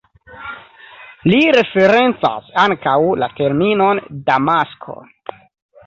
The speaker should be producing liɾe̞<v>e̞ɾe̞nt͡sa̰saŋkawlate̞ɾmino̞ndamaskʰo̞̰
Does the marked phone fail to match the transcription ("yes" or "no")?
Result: yes